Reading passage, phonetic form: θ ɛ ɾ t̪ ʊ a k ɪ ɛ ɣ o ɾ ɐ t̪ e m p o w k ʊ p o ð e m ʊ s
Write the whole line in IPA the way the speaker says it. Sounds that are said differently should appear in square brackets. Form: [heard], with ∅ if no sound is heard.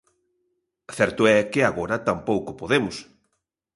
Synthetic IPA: θ ɛ ɾ t̪ ʊ [ɛ] k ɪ [a] ɣ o ɾ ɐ t̪ [a] m p o w k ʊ p o ð e m ʊ s